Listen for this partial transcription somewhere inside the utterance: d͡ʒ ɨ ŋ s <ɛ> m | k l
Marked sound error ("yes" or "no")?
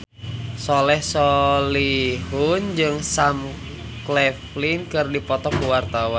yes